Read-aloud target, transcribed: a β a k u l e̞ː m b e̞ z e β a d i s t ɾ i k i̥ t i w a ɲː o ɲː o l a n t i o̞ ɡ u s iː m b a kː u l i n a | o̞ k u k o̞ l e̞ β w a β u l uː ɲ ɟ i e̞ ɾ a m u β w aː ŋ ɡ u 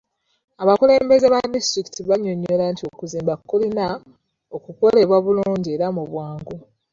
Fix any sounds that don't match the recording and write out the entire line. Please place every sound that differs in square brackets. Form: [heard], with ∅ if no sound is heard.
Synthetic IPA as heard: a β a k u l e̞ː m b e̞ z e β a d i s t ɾ i k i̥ t i [β] a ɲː o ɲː o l a n t i o̞ [k] u [z] iː m b a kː u l i n a | o̞ k u k o̞ l e̞ β w a β u l uː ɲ ɟ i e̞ ɾ a m u β w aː ŋ ɡ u